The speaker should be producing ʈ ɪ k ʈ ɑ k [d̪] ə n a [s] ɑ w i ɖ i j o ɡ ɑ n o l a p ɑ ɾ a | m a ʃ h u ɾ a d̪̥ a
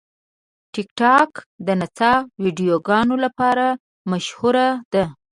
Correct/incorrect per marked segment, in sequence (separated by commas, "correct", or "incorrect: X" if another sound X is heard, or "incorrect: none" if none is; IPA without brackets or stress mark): correct, incorrect: t͡s